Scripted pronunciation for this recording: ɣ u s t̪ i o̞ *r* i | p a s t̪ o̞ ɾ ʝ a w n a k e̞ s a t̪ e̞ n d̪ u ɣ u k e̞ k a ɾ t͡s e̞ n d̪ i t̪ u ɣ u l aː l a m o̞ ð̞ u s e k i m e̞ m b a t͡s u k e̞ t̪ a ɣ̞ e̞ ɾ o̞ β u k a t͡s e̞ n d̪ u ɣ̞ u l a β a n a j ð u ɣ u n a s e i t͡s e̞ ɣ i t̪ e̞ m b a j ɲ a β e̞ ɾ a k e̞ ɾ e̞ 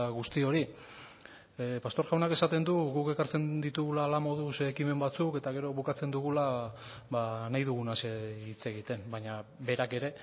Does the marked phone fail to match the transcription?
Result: yes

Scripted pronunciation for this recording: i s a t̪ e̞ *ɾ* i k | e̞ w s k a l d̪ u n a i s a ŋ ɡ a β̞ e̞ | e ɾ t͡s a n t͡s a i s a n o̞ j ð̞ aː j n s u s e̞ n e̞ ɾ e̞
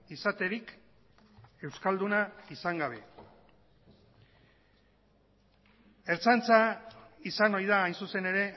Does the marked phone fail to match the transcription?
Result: no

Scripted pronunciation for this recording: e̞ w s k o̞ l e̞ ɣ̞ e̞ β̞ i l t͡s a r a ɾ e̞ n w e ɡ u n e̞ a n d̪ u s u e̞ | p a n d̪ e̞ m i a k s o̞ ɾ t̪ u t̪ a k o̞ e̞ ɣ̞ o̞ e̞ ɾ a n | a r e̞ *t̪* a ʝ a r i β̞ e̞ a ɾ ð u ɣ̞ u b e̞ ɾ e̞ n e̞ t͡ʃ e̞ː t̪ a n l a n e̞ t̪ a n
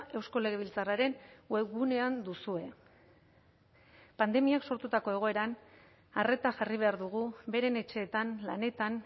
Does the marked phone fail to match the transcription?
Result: no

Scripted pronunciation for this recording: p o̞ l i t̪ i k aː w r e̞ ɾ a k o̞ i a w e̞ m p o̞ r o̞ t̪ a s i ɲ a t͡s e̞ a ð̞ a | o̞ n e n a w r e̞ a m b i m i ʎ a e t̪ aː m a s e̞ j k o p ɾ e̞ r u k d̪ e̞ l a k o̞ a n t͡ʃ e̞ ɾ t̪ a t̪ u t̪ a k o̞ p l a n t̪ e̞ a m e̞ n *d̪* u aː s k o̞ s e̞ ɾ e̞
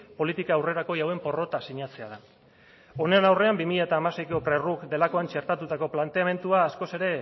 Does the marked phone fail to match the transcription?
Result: yes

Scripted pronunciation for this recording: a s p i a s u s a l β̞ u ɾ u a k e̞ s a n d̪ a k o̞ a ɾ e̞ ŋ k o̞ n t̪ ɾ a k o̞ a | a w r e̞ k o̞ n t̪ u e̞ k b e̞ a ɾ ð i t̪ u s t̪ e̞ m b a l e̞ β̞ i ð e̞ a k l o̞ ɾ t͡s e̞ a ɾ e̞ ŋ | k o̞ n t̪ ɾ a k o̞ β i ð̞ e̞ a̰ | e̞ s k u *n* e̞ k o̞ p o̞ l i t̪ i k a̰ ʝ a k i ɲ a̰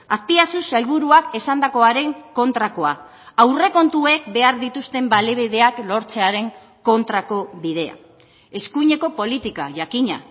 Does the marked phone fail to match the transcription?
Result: yes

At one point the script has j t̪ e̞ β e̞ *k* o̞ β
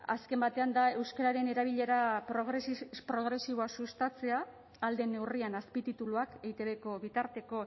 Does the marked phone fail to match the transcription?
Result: no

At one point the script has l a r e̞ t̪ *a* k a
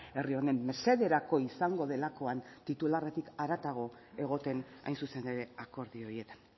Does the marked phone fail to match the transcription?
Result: yes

